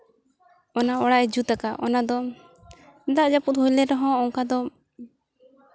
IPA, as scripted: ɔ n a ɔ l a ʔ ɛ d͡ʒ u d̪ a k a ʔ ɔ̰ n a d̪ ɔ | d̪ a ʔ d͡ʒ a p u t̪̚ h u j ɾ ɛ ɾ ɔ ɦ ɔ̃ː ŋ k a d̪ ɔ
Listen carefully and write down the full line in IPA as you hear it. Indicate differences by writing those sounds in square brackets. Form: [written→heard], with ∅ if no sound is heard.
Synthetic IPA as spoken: ɔ n a ɔ [l→ɽ] a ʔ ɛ d͡ʒ u [d̪→t̪] a k a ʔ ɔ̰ n a d̪ ɔ | d̪ a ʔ d͡ʒ a p u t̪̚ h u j [ɾ→l] ɛ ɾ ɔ ɦ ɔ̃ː ŋ k a d̪ ɔ